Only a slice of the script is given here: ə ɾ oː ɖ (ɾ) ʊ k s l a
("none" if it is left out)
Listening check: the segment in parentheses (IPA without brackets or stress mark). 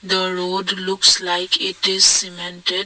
l